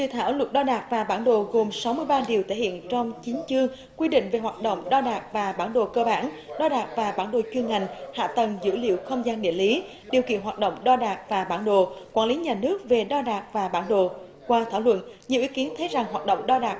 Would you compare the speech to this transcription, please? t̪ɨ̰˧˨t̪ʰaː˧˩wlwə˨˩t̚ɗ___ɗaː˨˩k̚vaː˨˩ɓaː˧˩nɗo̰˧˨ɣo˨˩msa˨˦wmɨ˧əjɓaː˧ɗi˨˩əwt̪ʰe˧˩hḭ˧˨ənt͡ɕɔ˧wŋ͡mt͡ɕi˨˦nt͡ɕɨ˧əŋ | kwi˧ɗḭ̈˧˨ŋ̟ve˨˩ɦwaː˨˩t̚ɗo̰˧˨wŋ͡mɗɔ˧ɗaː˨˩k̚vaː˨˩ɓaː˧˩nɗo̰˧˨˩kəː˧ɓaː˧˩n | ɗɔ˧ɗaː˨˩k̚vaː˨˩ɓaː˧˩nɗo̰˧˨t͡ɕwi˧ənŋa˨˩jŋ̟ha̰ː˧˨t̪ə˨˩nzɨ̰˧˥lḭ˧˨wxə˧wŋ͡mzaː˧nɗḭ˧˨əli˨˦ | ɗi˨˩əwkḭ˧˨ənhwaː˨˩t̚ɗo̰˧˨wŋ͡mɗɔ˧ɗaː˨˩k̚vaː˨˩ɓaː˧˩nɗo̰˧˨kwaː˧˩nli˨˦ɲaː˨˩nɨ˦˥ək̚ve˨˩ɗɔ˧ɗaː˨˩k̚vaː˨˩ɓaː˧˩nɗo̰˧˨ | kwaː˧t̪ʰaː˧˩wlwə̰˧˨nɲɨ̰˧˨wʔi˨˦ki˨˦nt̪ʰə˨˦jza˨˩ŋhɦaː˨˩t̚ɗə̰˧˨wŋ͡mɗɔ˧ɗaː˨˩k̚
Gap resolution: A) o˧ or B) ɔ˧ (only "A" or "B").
B